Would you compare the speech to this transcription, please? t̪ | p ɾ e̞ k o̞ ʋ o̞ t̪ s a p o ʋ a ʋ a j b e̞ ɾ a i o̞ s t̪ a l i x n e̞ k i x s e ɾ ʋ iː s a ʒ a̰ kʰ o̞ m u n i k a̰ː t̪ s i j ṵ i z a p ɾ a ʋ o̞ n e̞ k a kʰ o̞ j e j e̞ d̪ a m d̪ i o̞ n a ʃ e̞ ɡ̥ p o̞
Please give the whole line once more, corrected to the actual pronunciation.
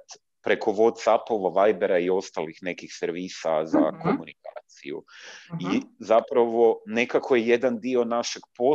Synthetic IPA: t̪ | p ɾ e̞ k o̞ ʋ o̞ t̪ s a p o ʋ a ʋ a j b e̞ ɾ a i o̞ s t̪ a l i x n e̞ k i x s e ɾ ʋ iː s a z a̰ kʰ o̞ m u n i k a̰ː t̪ s i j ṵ i z a p ɾ a ʋ o̞ n e̞ k a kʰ o̞ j e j e̞ d̪ a n d̪ i o̞ n a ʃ e̞ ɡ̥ p o̞